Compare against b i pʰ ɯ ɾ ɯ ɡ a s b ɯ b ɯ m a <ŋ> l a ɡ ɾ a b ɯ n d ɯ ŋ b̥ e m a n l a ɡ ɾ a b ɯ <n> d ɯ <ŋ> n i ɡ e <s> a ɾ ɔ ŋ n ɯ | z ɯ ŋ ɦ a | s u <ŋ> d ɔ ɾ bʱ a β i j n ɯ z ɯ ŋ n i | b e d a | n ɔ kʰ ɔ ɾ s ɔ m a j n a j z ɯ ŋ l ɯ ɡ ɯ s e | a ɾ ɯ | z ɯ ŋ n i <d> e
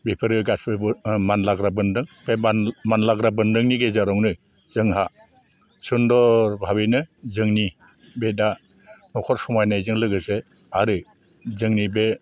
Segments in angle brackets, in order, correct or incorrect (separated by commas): incorrect, correct, correct, incorrect, incorrect, incorrect